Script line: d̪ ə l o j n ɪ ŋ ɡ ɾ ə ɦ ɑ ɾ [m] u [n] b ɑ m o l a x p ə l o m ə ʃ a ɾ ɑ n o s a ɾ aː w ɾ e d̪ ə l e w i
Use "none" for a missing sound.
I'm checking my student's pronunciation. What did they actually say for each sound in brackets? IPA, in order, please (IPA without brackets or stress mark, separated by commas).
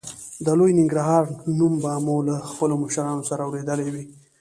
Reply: n, m